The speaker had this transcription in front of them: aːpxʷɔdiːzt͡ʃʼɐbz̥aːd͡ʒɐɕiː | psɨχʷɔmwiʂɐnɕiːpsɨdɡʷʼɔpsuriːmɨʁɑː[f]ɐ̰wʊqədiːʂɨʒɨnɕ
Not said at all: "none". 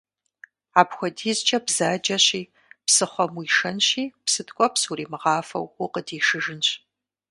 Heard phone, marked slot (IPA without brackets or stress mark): f